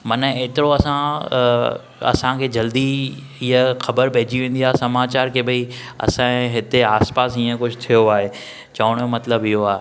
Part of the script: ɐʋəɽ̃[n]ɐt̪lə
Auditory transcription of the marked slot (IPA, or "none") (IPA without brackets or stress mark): m